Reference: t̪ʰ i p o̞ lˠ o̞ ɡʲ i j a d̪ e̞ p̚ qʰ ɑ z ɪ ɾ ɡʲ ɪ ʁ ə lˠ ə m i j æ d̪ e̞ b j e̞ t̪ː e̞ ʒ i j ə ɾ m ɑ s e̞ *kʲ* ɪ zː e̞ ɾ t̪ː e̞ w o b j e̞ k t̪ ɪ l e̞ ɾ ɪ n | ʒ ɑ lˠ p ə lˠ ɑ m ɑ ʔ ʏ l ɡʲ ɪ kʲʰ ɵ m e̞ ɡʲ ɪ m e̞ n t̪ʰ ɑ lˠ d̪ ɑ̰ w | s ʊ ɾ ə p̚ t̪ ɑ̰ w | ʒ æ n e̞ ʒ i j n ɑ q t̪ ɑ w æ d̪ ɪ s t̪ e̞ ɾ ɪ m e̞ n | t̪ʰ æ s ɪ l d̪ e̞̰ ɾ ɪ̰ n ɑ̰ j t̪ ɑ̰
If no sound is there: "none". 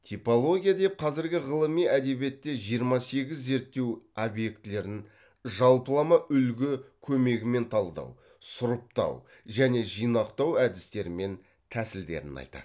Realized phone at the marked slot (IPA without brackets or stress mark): ɡʲ